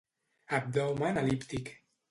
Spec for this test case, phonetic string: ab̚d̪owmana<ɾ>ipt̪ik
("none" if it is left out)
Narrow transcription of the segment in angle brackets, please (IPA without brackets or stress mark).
l